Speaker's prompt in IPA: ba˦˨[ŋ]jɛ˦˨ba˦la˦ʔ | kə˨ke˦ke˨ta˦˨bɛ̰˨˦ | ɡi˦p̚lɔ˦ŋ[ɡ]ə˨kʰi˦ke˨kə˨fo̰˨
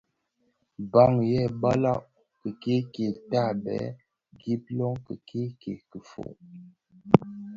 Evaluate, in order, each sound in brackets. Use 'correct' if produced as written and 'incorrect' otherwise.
correct, incorrect

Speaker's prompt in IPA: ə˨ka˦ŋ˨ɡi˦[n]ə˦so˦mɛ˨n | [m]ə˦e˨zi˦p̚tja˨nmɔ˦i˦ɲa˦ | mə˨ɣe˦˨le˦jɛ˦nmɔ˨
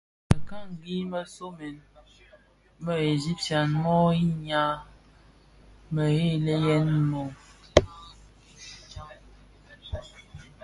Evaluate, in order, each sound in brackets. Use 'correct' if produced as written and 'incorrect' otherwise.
incorrect, correct

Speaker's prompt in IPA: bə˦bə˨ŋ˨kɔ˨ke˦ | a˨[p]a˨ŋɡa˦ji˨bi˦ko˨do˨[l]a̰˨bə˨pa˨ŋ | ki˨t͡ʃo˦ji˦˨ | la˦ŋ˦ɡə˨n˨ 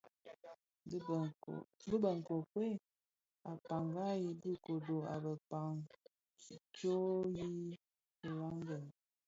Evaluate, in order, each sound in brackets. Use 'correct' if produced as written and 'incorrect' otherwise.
correct, incorrect

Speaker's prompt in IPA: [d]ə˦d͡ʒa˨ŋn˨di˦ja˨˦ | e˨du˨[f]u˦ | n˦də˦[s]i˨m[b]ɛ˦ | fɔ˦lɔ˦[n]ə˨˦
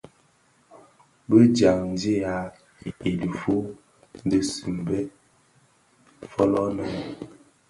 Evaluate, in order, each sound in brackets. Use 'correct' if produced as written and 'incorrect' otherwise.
incorrect, correct, correct, correct, correct

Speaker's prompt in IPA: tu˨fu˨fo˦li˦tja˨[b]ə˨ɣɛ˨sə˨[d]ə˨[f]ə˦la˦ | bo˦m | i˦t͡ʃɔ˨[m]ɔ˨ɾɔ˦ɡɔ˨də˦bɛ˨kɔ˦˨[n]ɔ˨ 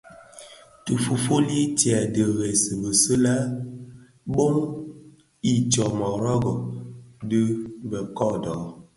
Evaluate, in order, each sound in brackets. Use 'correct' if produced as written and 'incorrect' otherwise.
incorrect, incorrect, incorrect, correct, incorrect

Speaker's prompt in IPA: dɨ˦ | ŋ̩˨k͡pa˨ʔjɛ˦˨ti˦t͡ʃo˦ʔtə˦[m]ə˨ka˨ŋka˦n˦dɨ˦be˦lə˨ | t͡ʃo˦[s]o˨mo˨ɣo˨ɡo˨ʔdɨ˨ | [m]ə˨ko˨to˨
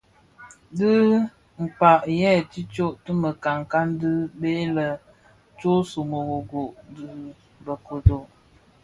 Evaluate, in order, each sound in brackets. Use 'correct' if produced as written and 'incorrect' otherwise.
correct, correct, incorrect

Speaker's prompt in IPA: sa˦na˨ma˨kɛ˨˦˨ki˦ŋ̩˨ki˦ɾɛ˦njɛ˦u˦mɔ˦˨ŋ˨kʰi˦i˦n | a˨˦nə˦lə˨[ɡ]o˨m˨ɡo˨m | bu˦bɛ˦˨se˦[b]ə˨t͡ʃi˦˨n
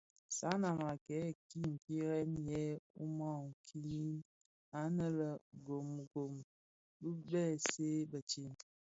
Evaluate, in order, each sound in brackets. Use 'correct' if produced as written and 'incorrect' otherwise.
correct, correct

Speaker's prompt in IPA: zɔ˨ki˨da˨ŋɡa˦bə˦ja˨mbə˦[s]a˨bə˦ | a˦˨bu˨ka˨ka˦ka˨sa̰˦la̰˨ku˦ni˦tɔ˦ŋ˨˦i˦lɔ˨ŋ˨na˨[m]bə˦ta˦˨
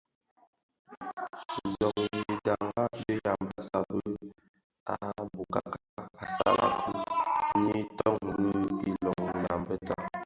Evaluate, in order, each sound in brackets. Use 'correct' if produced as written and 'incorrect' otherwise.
correct, correct

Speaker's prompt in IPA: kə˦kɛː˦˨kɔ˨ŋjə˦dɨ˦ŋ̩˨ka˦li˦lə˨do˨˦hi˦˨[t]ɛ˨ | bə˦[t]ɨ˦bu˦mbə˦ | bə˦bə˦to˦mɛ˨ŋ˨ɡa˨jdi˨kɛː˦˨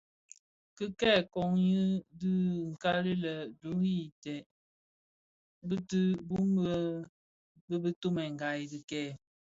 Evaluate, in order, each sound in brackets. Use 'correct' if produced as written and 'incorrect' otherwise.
correct, correct

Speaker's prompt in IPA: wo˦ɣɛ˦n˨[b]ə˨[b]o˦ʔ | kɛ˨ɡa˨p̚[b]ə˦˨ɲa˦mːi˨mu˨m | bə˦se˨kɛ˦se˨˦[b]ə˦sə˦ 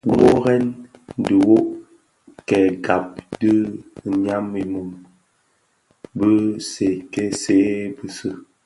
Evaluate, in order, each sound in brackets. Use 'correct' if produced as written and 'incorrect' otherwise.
incorrect, incorrect, incorrect, correct

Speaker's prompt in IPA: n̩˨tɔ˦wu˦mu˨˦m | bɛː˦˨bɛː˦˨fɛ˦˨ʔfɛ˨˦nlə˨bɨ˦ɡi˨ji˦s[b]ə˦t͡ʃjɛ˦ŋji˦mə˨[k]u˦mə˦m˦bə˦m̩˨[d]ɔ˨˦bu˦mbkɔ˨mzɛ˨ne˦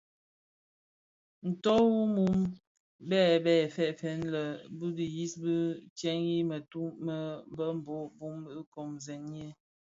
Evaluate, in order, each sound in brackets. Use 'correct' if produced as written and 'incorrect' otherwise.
correct, incorrect, incorrect

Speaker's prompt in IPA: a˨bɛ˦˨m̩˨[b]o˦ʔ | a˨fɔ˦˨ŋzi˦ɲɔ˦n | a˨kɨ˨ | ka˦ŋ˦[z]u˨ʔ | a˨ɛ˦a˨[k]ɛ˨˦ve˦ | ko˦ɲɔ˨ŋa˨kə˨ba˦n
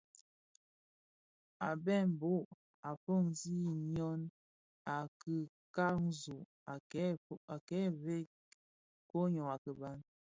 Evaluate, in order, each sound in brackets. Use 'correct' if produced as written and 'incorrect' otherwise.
correct, correct, correct

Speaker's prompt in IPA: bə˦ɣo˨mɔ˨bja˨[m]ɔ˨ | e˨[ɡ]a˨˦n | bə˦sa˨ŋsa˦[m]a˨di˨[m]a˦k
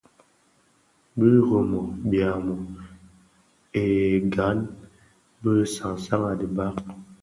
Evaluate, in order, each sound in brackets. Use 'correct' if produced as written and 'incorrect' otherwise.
correct, correct, incorrect, incorrect

